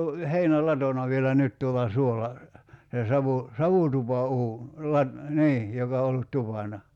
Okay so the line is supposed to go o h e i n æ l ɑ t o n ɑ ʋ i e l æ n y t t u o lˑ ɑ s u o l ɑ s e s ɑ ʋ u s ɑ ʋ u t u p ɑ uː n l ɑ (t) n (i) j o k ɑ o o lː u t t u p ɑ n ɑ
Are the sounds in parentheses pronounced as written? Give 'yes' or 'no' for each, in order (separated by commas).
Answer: yes, no